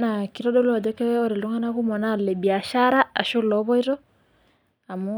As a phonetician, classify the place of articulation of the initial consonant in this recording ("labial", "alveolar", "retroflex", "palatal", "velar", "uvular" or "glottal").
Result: alveolar